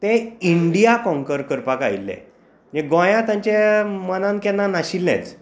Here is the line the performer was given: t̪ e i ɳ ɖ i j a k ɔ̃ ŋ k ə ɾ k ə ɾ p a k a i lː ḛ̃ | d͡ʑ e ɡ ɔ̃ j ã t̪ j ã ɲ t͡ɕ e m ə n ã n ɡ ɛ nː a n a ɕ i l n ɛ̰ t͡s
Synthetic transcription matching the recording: t̪ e i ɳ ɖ i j a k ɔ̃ ŋ k ə ɾ k ə ɾ p a k a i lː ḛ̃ | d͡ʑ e ɡ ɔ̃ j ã t̪ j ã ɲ t͡ɕ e m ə n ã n k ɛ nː a n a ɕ i l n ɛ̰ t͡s